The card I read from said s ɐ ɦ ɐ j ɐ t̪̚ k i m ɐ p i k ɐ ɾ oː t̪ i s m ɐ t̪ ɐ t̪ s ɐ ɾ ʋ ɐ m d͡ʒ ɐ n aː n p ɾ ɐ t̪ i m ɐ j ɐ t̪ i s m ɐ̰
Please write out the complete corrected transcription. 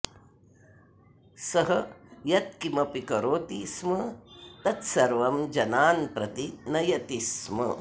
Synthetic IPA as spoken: s ɐ ɦ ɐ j ɐ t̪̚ k i m ɐ p i k ɐ ɾ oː t̪ i s m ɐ t̪ ɐ t̪ s ɐ ɾ ʋ ɐ m d͡ʒ ɐ n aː n p ɾ ɐ t̪ i n ɐ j ɐ t̪ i s m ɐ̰